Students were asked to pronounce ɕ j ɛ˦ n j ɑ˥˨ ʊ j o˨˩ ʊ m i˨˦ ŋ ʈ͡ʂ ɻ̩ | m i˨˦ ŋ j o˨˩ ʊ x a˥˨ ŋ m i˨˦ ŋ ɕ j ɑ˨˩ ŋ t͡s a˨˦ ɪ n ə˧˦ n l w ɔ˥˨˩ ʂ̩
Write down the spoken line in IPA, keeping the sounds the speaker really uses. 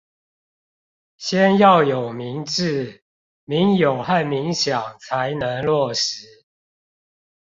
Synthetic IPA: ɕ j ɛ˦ n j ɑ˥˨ ʊ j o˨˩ ʊ m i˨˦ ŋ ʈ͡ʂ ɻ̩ | m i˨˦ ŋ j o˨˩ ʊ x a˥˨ n m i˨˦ ŋ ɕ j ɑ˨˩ ŋ t͡sʰ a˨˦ ɪ n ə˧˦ ŋ l w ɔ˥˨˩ ʂ̩